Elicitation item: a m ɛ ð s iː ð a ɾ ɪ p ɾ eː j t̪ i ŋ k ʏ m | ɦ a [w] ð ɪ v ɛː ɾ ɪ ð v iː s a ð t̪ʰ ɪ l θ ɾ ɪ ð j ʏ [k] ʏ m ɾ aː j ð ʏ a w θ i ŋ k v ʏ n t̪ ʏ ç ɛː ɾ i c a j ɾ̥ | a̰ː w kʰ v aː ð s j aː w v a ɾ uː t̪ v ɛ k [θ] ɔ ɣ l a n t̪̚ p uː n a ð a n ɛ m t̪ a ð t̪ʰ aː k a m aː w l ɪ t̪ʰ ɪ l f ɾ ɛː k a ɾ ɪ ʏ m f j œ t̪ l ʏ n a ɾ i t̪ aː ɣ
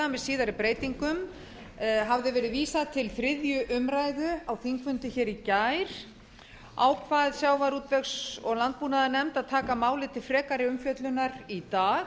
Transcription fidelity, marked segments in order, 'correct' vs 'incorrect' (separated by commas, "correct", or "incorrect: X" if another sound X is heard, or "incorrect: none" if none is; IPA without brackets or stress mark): incorrect: v, incorrect: ʔ, incorrect: s